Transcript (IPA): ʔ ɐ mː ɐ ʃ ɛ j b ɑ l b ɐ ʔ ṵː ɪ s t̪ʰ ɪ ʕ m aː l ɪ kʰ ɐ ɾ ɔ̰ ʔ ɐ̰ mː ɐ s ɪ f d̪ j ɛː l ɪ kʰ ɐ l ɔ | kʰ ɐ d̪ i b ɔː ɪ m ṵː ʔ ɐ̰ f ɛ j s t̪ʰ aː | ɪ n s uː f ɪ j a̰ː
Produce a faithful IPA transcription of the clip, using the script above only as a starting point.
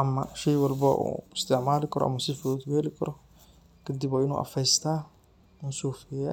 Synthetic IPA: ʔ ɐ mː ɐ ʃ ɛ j w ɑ l b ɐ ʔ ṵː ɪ s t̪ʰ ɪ ʕ m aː l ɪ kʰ ɐ ɾ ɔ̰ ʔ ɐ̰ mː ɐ s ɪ f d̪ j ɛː l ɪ kʰ ɐ ɾ ɔ | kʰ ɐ d̪ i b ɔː ɪ n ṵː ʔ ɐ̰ f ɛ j s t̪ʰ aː | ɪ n s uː f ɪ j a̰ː